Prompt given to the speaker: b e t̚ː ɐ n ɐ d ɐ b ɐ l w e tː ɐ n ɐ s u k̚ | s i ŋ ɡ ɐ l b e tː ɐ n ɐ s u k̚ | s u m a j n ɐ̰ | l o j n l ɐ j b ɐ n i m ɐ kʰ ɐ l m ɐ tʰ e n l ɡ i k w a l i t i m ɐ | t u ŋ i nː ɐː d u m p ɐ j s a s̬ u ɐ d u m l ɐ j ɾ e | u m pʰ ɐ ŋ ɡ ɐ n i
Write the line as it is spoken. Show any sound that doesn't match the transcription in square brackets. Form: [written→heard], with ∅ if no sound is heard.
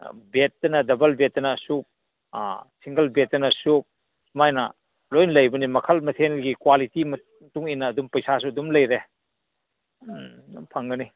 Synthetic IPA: b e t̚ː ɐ n ɐ d ɐ b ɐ l [w→b] e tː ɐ n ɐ s u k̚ | s i ŋ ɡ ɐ l b e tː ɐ n ɐ s u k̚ | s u m a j n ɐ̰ | l o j n l ɐ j b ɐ n i m ɐ kʰ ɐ l m ɐ tʰ e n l ɡ i k w a l i t i m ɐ | t u ŋ i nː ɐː d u m p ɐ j s a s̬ u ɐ d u m l ɐ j ɾ e | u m pʰ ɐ ŋ ɡ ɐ n i